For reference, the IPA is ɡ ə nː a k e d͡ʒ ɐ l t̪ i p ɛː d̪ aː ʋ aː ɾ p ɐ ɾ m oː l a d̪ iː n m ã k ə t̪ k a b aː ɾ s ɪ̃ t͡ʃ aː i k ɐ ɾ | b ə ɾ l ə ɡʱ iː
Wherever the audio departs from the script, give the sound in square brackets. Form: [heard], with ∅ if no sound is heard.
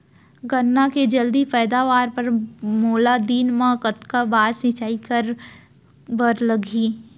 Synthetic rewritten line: ɡ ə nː a k e d͡ʒ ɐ l [d̪] i p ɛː d̪ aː ʋ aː ɾ p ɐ ɾ m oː l a d̪ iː n m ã k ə t̪ k a b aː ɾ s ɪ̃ t͡ʃ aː i k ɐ ɾ | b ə ɾ l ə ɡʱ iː